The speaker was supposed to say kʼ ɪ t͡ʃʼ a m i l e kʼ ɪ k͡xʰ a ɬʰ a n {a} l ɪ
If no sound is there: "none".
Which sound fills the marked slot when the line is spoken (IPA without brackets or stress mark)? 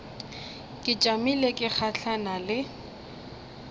a